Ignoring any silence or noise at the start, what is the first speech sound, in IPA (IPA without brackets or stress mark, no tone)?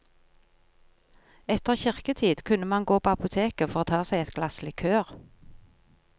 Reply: ɛ